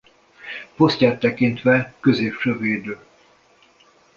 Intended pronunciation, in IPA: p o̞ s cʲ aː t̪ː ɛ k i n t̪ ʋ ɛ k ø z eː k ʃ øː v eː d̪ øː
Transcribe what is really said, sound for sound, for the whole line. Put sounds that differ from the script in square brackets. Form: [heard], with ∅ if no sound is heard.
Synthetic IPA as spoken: p o̞ s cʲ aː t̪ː ɛ k i n t̪ ʋ ɛ k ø z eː [p] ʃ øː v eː d̪ øː

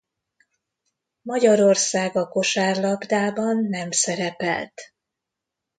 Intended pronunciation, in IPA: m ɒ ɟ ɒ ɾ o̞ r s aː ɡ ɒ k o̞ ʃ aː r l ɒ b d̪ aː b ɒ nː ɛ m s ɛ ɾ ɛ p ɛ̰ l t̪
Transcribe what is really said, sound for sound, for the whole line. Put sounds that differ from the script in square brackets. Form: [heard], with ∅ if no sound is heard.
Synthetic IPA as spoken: m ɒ ɟ ɒ ɾ o̞ r s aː ɡ ɒ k o̞ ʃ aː r l ɒ b d̪ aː b ɒ nː ɛ m s ɛ ɾ ɛ p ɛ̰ l t̪

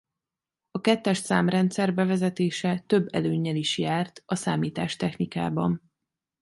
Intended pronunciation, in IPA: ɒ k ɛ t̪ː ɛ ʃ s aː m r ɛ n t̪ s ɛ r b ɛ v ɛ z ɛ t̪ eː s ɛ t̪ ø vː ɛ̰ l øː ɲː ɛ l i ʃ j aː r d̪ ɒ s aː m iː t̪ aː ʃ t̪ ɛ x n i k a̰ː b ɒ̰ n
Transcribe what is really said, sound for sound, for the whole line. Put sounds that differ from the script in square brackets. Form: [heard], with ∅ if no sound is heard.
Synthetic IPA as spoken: ɒ k ɛ t̪ː ɛ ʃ s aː m r ɛ n t̪ s ɛ r b ɛ v ɛ z ɛ t̪ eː [ʃ] ɛ t̪ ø [bː] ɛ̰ l øː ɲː ɛ l i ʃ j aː r [t̪] ɒ s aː m iː t̪ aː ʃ t̪ ɛ x n i k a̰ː b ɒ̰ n

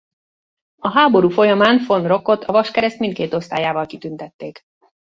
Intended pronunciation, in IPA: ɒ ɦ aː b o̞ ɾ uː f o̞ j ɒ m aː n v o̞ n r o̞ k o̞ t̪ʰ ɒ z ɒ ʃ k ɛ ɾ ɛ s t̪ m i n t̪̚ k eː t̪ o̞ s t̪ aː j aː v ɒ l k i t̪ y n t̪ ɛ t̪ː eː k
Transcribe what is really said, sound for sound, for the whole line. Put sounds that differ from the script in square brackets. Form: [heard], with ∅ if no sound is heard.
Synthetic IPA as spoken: ɒ ɦ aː b o̞ ɾ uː f o̞ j ɒ m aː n [f] o̞ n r o̞ k o̞ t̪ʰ ɒ [v] ɒ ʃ k ɛ ɾ ɛ s t̪ m i n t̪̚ k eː t̪ o̞ s t̪ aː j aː v ɒ l k i t̪ y n t̪ ɛ t̪ː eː k

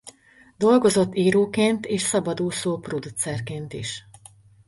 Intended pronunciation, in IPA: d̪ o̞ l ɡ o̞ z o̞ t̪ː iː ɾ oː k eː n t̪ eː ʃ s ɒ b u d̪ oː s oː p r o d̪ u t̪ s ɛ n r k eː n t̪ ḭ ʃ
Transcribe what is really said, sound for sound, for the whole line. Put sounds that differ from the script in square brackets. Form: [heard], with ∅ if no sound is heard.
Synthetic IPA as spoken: d̪ o̞ l ɡ o̞ z o̞ t̪ː iː ɾ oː k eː n t̪ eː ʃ s ɒ b [ɒ] d̪ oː s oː p r o d̪ u t̪ s ɛ [∅] r k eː n t̪ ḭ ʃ

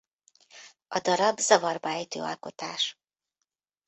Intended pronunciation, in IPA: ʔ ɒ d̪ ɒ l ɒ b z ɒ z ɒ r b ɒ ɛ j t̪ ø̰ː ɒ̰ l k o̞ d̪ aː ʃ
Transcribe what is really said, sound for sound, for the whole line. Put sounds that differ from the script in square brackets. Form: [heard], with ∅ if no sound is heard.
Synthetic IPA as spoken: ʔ ɒ d̪ ɒ [ɾ] ɒ b z ɒ [v] ɒ r b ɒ ɛ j t̪ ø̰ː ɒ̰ l k o̞ [t̪] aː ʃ

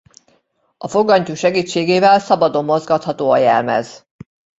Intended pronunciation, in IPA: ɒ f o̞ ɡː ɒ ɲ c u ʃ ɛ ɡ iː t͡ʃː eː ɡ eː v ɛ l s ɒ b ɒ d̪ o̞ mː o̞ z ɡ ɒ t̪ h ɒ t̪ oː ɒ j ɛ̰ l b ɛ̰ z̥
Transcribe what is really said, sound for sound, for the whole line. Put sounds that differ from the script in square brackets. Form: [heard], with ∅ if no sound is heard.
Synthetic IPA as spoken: ɒ f o̞ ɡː ɒ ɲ c u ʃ ɛ ɡ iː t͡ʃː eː ɡ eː v ɛ l s ɒ b ɒ d̪ o̞ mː o̞ z ɡ ɒ t̪ h ɒ t̪ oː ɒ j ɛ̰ l [m] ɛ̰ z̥

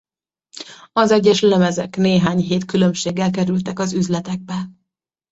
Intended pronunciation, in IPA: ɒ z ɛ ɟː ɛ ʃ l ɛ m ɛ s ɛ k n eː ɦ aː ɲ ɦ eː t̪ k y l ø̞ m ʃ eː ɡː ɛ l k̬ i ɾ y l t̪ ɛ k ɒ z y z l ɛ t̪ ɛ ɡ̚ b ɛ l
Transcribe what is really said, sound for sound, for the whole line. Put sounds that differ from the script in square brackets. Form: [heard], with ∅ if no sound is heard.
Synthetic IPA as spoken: ɒ z ɛ ɟː ɛ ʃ l ɛ m ɛ [z] ɛ k n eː ɦ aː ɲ ɦ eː t̪ k y l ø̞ m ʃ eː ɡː ɛ l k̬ [ɛ] ɾ y l t̪ ɛ k ɒ z y z l ɛ t̪ ɛ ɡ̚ b ɛ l

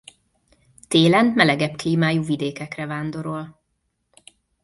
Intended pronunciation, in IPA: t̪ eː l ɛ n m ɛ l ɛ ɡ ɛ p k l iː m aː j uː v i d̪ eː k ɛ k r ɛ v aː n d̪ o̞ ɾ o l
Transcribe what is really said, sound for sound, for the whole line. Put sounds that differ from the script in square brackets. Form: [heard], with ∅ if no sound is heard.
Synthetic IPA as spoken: t̪ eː l ɛ n m ɛ l ɛ ɡ ɛ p k l iː m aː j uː v i d̪ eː k ɛ k r ɛ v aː n d̪ o̞ ɾ o l

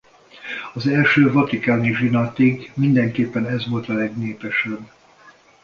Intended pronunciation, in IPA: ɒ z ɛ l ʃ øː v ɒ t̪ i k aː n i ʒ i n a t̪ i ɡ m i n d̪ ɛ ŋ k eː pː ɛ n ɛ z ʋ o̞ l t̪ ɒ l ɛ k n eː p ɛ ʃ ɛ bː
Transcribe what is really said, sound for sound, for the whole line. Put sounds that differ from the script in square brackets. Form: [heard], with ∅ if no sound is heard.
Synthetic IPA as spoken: ɒ z ɛ l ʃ øː v ɒ t̪ i k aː n i ʒ i n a t̪ i ɡ m i n d̪ ɛ ŋ k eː pː ɛ n ɛ z ʋ o̞ l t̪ ɒ l ɛ [ɡ] n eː p ɛ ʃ ɛ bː

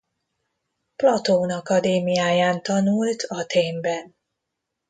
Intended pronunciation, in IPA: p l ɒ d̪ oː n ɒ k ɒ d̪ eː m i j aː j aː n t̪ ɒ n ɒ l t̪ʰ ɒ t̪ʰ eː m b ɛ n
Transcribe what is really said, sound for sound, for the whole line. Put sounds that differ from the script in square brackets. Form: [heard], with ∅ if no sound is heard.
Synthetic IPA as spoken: p l ɒ [t̪] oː n ɒ k ɒ d̪ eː m i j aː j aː n t̪ ɒ n [u] l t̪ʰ ɒ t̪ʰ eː m b ɛ n

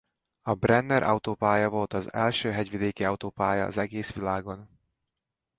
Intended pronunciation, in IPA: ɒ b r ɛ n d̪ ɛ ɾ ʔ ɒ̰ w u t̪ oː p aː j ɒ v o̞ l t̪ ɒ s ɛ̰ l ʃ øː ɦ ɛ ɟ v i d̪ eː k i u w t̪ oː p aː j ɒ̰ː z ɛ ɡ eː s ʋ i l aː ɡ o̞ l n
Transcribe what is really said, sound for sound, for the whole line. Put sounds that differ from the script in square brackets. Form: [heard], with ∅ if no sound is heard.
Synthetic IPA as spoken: ɒ b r ɛ n d̪ ɛ ɾ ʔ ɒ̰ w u t̪ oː p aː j ɒ v o̞ l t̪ ɒ [z] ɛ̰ l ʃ øː ɦ ɛ ɟ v i d̪ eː k i [ɒ] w t̪ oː p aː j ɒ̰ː z ɛ ɡ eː s ʋ i l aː ɡ o̞ [∅] n

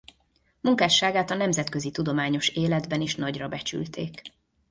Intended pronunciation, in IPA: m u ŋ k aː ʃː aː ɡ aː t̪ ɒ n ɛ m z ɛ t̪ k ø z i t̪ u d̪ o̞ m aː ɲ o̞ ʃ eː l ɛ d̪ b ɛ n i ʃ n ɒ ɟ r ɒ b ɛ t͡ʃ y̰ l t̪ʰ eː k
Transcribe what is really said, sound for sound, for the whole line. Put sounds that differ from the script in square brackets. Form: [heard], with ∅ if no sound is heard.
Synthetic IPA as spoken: m u ŋ k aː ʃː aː ɡ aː t̪ ɒ n ɛ m z ɛ t̪ k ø z i t̪ u d̪ o̞ m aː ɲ o̞ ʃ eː l ɛ d̪ b ɛ n i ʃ n ɒ ɟ r ɒ b ɛ t͡ʃ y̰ l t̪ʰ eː k

